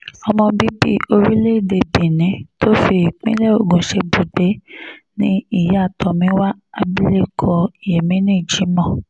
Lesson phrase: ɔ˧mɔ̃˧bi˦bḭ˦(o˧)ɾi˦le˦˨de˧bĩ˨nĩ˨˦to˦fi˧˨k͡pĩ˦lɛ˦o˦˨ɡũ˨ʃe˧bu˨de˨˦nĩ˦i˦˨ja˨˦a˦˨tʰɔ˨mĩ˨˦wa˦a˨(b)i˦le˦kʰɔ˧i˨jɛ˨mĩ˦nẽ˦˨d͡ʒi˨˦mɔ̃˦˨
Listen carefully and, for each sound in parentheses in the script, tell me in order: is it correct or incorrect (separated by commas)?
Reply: correct, correct